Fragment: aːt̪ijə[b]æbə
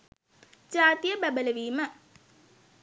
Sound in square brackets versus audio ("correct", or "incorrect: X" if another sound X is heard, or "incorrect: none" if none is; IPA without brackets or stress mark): correct